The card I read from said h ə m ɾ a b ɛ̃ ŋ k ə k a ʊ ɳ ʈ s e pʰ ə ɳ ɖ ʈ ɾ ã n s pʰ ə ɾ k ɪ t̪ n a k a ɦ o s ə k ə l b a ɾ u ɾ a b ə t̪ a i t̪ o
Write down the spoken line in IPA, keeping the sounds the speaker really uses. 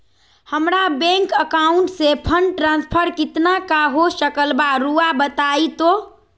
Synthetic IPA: h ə m ɾ a b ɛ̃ ŋ k ə k a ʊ ɳ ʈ s e pʰ ə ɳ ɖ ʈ ɾ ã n s pʰ ə ɾ k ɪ t̪ n a k a ɦ o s ə k ə l b a ɾ u a b ə t̪ a i t̪ o